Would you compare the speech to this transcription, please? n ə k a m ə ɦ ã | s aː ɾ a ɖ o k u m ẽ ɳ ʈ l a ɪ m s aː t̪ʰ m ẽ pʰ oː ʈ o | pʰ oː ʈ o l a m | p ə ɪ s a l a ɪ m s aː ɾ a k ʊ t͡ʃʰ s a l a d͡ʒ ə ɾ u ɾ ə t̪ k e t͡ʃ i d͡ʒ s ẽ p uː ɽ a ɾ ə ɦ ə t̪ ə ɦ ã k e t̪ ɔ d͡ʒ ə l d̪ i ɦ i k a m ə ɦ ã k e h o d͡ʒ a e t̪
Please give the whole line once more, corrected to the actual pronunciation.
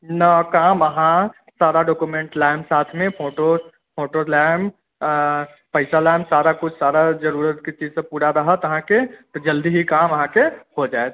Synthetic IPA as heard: n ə k a m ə ɦ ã | s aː ɾ a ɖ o k u m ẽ ɳ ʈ l a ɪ m s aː t̪ʰ m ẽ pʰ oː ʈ o | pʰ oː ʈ o l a m | p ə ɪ s a l a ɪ m s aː ɾ a k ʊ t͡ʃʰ s a ɾ a d͡ʒ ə ɾ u ɾ ə t̪ k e t͡ʃ i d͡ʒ s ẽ p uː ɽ a ɾ ə ɦ ə t̪ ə ɦ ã k e t̪ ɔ d͡ʒ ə l d̪ i ɦ i k a m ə ɦ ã k e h o d͡ʒ a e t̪